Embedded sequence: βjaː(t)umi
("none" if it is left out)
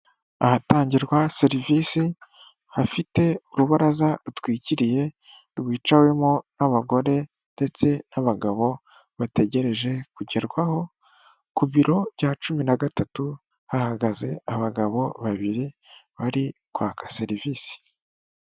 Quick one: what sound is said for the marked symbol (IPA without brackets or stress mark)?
t͡ʃ